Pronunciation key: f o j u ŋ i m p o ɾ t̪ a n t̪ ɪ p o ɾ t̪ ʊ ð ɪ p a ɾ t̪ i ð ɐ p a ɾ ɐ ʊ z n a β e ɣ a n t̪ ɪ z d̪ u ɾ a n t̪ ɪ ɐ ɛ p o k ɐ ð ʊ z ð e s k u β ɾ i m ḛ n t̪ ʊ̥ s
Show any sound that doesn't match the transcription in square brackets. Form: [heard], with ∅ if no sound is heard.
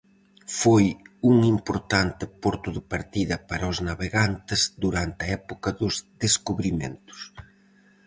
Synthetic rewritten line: f o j u ŋ i m p o ɾ t̪ a n t̪ ɪ p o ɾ t̪ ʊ ð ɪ p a ɾ t̪ i ð ɐ p a ɾ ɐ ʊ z n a β e ɣ a n t̪ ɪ z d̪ u ɾ a n t̪ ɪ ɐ ɛ p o k ɐ ð ʊ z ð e s k u β ɾ i m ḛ n t̪ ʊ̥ s

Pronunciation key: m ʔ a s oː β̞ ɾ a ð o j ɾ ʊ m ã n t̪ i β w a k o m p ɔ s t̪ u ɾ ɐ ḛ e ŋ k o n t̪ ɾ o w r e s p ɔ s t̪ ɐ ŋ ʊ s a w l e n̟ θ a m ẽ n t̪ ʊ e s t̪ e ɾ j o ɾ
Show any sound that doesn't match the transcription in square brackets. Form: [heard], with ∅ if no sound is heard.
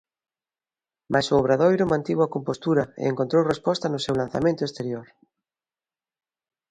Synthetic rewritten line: m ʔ a s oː β̞ ɾ a ð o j ɾ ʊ m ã n t̪ i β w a k o m p [o] s t̪ u ɾ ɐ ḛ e ŋ k o n t̪ ɾ o w r e s p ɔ s t̪ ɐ [n] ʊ s [e] w l [a] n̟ θ a m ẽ n t̪ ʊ e s t̪ e ɾ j o ɾ

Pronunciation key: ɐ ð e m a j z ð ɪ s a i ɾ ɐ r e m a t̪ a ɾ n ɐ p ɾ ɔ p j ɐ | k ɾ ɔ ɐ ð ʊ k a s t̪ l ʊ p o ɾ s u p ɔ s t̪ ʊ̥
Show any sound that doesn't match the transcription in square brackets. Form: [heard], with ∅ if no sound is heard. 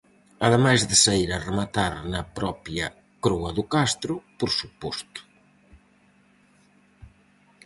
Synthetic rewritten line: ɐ ð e m a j z ð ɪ s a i ɾ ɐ r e m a t̪ a ɾ n ɐ p ɾ ɔ p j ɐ | k ɾ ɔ ɐ ð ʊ k a s t̪ [ɾ] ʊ p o ɾ s u p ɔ s t̪ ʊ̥

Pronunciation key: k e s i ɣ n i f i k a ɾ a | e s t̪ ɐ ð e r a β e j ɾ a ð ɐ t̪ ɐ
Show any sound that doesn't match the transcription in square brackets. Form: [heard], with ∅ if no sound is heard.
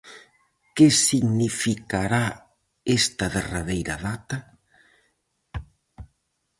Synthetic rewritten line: k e s i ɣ n i f i k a ɾ a | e s t̪ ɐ ð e r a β e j ɾ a ð [a] t̪ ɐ

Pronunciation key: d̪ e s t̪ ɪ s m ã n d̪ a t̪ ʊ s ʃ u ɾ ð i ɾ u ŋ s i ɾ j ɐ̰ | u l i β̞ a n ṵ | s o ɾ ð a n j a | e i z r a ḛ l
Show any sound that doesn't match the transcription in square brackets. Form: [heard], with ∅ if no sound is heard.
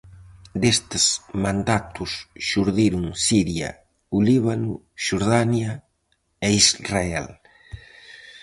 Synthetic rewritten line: d̪ e s t̪ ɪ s m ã n d̪ a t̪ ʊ s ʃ u ɾ ð i ɾ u ŋ s i ɾ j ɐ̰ | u l i β̞ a n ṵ | [ʃ] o ɾ ð a n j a | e i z r a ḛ l

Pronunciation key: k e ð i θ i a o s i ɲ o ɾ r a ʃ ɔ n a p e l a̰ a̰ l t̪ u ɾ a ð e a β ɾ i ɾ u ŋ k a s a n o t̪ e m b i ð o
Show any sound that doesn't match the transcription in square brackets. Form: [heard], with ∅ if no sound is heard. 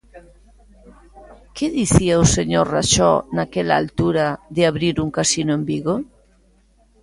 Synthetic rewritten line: k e ð i θ i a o s [e] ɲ o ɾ r a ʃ ɔ n a [k] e l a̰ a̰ l t̪ u ɾ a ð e a β ɾ i ɾ u ŋ k a s [i] n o [∅] e m b i [ɣ] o

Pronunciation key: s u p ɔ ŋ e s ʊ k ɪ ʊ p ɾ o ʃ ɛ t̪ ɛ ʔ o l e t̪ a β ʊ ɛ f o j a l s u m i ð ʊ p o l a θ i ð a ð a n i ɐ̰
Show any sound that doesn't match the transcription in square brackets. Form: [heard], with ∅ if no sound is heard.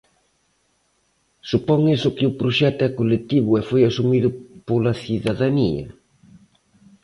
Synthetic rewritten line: s u p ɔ ŋ e s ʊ k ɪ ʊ p ɾ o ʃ ɛ t̪ ɛ [k] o l e t̪ [i] β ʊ ɛ f o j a [∅] s u m i ð ʊ p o l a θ i ð a ð a n i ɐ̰

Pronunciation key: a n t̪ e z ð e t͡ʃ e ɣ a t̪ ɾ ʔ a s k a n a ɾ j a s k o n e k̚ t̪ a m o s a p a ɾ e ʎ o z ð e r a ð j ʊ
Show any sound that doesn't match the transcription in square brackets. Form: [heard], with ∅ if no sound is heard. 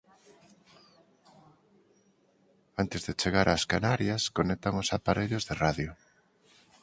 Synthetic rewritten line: a n t̪ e z ð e t͡ʃ e ɣ a [∅] ɾ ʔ a s k a n a ɾ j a s k o n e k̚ t̪ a [ŋ] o s a p a ɾ e ʎ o z ð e r a ð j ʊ

